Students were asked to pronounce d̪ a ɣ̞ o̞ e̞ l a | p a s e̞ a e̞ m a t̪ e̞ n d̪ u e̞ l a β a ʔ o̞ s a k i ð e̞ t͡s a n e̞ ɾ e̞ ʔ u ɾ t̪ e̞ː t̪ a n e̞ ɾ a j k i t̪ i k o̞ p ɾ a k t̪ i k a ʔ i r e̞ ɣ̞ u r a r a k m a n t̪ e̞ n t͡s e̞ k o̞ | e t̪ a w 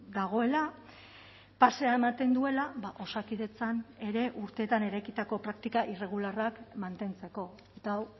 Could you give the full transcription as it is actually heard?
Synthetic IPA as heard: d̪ a ɣ̞ o̞ e̞ l a | p a s e̞ a e̞ m a t̪ e̞ n d̪ u e̞ l a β a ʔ o̞ s a k i ð e̞ t͡s a n e̞ ɾ e̞ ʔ u ɾ t̪ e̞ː t̪ a n e̞ ɾ a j k i t̪ a k o̞ p ɾ a k t̪ i k a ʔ i r e̞ ɣ̞ u l a r a k m a n t̪ e̞ n t͡s e̞ k o̞ | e t̪ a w